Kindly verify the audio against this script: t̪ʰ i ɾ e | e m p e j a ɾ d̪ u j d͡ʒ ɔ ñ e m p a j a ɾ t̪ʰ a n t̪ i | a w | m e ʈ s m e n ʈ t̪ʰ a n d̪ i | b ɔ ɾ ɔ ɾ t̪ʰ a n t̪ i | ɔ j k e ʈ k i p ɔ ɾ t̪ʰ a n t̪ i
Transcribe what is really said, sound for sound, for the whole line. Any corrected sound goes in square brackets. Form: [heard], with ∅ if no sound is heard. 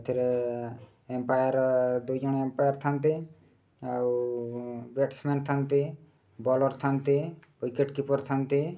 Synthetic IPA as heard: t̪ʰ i ɾ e | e m p [a] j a ɾ d̪ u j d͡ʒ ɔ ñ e m p a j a ɾ t̪ʰ a n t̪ i | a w | [b] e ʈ s m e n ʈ t̪ʰ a n [t̪] i | b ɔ [l] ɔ ɾ t̪ʰ a n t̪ i | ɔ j k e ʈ k i p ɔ ɾ t̪ʰ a n t̪ i